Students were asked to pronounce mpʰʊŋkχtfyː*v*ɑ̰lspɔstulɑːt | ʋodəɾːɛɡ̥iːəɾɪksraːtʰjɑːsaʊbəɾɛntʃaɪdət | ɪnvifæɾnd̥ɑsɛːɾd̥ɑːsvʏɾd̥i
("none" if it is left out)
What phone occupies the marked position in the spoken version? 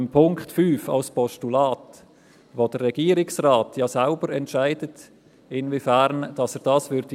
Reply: f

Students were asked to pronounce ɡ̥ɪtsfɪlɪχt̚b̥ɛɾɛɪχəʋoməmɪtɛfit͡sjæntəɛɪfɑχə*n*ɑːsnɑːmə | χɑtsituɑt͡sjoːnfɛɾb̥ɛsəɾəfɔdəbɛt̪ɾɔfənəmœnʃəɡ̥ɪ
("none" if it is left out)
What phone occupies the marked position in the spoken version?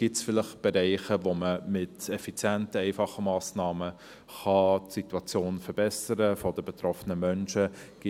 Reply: m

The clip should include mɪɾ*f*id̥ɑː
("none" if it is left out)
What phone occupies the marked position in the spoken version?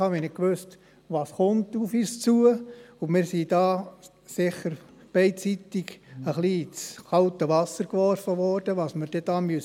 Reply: s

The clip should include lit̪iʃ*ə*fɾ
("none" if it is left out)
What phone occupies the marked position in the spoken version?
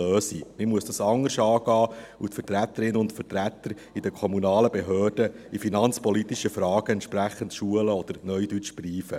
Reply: ə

